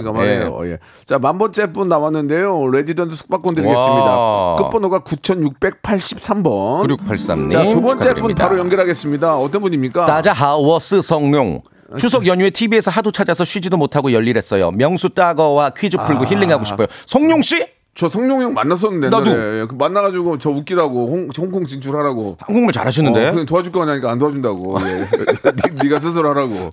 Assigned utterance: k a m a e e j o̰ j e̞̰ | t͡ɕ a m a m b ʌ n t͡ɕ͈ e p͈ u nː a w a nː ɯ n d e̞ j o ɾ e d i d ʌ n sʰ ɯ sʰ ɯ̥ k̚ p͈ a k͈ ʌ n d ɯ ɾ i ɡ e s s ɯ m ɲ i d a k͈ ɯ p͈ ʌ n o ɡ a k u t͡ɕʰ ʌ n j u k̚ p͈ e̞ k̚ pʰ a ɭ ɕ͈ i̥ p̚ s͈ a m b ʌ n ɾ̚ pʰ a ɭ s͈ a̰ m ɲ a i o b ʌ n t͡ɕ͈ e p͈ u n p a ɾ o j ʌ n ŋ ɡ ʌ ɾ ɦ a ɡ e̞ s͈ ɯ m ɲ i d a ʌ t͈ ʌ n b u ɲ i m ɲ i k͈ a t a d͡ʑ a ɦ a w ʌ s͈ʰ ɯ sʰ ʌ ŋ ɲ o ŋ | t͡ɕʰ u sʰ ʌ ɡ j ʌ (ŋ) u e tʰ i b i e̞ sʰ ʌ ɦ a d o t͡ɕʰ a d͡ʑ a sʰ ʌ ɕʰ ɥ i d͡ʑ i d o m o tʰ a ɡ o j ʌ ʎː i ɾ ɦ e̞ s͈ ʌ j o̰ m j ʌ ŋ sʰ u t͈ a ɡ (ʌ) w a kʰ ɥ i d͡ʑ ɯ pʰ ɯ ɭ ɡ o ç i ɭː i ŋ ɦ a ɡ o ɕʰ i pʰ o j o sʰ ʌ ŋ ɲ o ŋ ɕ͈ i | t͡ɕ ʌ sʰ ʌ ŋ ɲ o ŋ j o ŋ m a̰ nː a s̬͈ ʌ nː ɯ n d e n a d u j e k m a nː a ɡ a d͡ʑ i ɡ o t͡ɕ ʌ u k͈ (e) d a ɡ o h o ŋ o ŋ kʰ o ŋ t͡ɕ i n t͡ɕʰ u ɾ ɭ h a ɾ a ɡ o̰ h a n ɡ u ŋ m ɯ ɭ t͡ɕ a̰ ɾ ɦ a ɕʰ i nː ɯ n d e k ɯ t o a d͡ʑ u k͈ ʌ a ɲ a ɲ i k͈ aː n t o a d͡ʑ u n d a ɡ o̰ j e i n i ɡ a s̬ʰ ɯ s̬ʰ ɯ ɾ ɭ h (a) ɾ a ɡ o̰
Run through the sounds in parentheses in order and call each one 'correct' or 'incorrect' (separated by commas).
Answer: incorrect, correct, incorrect, correct